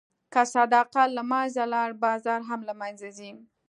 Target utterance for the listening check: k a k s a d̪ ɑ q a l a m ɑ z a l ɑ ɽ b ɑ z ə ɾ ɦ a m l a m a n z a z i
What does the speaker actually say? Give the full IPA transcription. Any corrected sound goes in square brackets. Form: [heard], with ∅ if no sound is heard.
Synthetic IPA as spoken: k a [∅] s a d̪ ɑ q a l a m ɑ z a l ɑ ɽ b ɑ z [ɑ] ɾ ɦ a m l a m a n z a z i